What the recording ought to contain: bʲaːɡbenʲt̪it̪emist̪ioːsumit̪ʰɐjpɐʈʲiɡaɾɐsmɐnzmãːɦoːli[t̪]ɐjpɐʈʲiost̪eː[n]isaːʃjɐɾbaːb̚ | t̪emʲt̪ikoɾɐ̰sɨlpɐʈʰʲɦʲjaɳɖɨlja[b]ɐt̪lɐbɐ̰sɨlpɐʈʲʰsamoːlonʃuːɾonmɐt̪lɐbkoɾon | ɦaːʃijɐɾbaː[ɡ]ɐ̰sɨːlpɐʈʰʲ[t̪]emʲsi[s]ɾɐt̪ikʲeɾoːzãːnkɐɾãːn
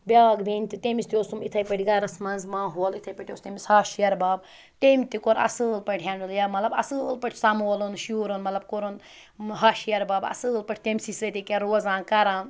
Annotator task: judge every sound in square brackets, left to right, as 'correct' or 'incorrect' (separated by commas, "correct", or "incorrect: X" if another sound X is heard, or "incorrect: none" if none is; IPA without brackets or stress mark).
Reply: incorrect: t̪ʰ, incorrect: m, incorrect: m, incorrect: b, correct, correct